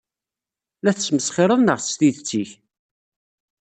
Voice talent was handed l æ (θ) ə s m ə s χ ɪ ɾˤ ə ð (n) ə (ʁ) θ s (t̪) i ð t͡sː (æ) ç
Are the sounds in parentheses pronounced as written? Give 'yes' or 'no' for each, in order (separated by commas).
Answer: yes, yes, yes, yes, no